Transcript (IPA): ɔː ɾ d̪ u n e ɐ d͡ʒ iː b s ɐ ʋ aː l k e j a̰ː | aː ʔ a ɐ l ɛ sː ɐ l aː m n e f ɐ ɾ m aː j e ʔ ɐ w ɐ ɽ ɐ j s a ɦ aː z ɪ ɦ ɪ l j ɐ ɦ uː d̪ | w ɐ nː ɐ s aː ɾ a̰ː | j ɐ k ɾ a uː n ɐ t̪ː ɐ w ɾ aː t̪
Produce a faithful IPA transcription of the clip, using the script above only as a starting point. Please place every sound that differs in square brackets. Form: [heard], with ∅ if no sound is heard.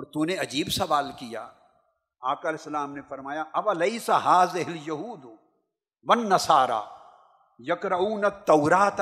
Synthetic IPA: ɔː ɾ [t̪] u n e ɐ d͡ʒ iː b s ɐ ʋ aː l k [i] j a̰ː | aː [k] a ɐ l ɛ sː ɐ l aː m n e f ɐ ɾ m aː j [a] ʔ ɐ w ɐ [l] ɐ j s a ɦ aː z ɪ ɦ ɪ l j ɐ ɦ uː d̪ | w ɐ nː ɐ s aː ɾ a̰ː | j ɐ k ɾ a uː n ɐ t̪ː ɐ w ɾ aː t̪